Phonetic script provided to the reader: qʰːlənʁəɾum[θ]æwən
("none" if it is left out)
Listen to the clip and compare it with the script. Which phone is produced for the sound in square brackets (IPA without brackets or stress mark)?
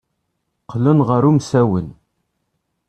s